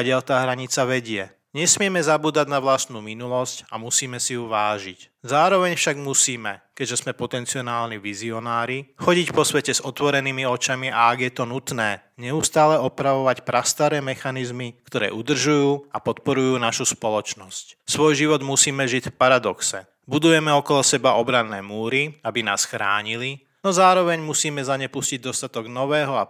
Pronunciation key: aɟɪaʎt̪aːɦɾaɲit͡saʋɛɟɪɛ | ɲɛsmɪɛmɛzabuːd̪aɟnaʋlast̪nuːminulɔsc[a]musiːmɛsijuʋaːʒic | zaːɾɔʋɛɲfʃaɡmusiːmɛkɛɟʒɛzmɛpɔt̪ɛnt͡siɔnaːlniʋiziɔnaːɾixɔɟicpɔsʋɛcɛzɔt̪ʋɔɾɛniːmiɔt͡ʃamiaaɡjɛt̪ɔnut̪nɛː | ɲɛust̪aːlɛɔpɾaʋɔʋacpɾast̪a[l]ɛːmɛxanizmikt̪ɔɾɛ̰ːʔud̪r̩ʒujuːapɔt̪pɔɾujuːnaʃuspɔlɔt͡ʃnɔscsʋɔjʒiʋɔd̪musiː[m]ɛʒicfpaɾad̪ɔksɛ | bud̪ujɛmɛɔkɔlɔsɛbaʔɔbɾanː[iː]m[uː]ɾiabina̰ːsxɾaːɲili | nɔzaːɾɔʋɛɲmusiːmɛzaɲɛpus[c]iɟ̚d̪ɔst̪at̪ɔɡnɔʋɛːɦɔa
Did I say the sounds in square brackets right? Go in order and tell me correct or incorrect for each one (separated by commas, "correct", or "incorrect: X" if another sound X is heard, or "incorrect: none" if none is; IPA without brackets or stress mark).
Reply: correct, incorrect: ɾ, correct, incorrect: ɛː, correct, correct